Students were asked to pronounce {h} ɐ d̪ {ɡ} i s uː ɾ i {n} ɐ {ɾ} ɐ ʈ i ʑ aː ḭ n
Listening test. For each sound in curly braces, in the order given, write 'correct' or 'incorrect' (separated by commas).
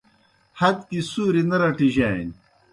correct, incorrect, correct, correct